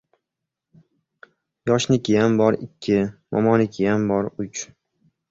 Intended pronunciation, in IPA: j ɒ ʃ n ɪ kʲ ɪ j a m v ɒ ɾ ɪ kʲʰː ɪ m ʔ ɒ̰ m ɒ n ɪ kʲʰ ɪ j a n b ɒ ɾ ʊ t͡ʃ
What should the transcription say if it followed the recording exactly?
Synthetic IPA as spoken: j ɒ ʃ n ɪ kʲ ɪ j a m b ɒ ɾ ɪ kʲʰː ɪ m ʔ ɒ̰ m ɒ n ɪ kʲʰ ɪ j a m b ɒ ɾ ʊ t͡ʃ